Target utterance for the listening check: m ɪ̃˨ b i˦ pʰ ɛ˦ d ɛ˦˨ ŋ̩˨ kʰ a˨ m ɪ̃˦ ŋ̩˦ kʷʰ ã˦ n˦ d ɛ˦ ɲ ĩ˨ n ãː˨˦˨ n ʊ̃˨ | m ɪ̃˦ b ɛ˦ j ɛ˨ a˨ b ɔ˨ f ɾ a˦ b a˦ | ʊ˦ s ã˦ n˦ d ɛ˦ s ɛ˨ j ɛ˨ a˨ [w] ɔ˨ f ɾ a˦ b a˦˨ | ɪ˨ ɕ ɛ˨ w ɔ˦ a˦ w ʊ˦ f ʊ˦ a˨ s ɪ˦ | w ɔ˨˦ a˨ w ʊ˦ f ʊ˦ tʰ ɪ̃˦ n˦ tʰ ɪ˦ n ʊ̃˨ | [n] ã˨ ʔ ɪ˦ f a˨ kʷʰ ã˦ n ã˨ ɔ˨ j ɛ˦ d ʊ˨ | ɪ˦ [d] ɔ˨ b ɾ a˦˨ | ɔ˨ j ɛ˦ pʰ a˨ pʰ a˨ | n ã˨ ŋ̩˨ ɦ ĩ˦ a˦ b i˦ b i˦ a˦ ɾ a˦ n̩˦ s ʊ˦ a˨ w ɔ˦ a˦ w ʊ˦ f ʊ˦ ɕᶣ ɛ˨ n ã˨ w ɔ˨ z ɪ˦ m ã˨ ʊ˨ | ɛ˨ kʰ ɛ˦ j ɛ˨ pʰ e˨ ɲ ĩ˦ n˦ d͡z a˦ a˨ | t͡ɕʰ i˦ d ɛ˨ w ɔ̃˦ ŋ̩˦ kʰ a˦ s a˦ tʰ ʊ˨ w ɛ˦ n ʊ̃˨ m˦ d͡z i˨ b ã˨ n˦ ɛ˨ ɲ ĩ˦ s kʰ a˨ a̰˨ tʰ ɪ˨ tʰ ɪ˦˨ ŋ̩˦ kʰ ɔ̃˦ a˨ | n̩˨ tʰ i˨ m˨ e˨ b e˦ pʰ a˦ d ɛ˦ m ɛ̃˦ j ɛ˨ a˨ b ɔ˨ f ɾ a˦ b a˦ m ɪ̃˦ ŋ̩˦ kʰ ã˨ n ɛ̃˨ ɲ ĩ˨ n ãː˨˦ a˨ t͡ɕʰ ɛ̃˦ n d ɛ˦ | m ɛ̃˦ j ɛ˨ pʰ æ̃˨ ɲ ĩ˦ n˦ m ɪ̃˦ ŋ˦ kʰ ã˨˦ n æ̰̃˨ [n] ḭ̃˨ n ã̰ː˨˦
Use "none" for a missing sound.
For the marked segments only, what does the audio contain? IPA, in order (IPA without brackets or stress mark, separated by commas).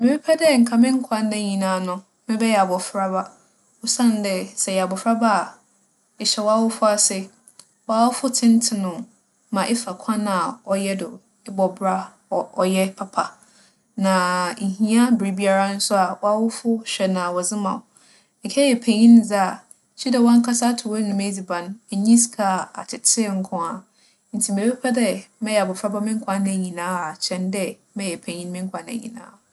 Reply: b, m, b, ɲ